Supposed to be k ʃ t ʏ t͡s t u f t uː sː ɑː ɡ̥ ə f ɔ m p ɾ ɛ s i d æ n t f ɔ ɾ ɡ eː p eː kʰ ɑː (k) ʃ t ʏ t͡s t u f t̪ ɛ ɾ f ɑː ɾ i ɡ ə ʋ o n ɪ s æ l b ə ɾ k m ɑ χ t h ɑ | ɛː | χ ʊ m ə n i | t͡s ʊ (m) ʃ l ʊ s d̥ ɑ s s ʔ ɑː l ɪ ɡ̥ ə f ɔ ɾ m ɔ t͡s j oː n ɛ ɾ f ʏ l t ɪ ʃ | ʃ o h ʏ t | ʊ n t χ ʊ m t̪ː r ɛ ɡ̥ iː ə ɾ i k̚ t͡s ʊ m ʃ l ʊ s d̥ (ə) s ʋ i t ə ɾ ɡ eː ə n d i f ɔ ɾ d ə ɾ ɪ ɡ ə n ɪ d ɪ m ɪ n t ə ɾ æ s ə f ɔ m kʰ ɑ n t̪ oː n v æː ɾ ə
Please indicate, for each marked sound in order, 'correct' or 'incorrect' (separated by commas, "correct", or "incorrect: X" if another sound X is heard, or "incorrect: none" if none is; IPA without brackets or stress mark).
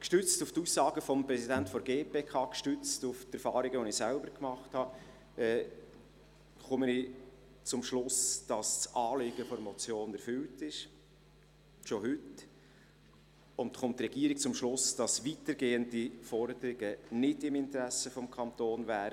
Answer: correct, correct, incorrect: ɑ